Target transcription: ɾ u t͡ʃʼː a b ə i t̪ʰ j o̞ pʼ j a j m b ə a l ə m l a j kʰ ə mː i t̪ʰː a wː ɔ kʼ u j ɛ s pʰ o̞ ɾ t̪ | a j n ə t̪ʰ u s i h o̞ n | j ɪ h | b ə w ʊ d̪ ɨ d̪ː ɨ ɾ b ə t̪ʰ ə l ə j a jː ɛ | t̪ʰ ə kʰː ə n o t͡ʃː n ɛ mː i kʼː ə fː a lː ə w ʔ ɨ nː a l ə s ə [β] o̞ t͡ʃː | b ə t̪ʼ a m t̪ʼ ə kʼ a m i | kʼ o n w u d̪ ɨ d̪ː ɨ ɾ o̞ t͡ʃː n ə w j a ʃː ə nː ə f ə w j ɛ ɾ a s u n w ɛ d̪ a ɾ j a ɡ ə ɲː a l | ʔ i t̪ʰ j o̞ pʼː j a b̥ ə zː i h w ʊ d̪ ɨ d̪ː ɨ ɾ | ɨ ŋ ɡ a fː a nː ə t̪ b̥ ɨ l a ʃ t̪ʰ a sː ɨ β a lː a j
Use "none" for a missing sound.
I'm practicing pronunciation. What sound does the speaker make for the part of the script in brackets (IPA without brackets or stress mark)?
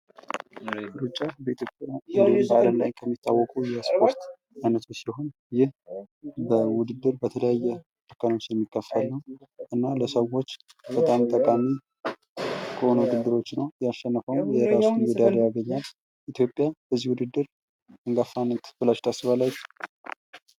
w